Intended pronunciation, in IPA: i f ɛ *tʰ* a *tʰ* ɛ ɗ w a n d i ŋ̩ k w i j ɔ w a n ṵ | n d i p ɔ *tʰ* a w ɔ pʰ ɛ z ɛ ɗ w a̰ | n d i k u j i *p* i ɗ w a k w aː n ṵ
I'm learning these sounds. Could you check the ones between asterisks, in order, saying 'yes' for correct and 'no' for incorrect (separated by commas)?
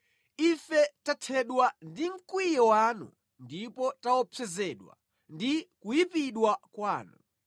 no, yes, no, yes